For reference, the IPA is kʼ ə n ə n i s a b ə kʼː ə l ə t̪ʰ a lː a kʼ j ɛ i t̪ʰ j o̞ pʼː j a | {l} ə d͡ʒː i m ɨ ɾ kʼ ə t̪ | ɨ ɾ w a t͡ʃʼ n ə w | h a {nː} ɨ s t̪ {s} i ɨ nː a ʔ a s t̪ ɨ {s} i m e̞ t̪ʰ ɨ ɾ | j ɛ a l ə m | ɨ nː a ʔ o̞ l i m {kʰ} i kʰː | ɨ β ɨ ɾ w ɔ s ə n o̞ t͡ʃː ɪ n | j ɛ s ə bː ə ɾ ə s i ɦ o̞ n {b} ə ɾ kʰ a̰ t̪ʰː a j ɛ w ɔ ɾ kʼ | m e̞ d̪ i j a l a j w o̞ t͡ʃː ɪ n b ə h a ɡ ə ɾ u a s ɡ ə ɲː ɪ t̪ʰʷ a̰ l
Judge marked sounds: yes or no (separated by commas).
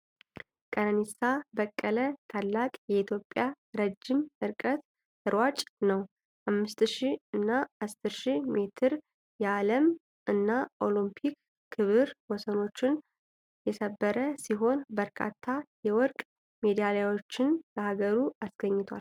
no, no, no, no, no, yes